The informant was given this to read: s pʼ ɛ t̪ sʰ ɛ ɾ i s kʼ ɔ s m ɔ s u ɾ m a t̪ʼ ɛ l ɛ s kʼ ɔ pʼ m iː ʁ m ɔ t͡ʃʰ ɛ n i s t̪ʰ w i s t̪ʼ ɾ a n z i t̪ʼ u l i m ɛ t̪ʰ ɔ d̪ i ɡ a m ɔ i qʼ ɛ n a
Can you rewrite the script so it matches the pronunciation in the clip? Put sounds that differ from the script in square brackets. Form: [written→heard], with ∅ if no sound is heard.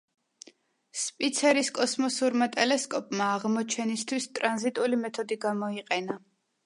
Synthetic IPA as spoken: s pʼ [ɛ→i] t̪ sʰ ɛ ɾ i s kʼ ɔ s m ɔ s u ɾ m a t̪ʼ ɛ l ɛ s kʼ ɔ pʼ m [iː→aː] ʁ m ɔ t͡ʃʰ ɛ n i s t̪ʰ w i s t̪ʼ ɾ a n z i t̪ʼ u l i m ɛ t̪ʰ ɔ d̪ i ɡ a m ɔ i qʼ ɛ n a